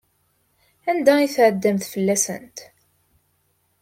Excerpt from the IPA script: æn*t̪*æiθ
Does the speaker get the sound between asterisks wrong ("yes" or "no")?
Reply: yes